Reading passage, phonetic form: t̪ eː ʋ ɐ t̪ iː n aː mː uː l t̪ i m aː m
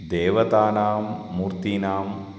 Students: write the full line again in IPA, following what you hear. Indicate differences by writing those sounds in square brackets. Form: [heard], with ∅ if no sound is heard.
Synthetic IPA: [d̪] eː ʋ ɐ t̪ [aː] n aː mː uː [ɾ] t̪ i [n] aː m